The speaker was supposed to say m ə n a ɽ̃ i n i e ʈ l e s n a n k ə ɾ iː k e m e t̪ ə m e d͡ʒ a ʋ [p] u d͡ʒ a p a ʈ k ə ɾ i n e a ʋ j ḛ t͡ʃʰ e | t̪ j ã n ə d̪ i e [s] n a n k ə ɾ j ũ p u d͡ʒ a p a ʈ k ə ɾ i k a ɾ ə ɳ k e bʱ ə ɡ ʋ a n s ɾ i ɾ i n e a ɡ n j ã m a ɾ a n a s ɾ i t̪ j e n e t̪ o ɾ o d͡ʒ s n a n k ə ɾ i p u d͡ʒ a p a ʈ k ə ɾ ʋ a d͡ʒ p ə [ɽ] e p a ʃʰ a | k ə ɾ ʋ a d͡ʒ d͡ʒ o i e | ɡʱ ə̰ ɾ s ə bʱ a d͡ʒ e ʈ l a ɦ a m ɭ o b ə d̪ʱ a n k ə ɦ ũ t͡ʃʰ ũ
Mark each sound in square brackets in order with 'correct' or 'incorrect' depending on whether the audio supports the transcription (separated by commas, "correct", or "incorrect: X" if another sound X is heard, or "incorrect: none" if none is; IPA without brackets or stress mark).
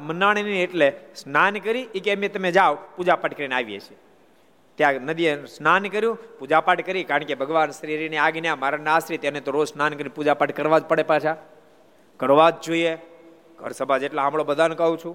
correct, correct, correct